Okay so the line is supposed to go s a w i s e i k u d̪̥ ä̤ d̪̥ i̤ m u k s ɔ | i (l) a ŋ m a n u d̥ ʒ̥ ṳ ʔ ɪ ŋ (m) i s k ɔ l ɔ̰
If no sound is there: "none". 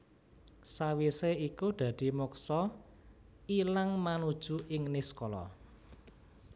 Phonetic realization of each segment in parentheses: l, n

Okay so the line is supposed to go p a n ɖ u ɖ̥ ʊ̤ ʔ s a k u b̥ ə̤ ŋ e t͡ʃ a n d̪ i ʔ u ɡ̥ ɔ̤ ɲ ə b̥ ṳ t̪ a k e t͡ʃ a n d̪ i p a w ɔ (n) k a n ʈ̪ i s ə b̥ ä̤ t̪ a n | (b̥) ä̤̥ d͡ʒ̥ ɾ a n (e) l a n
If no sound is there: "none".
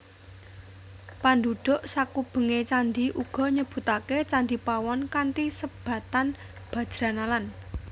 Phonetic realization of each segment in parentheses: n, b̥, a

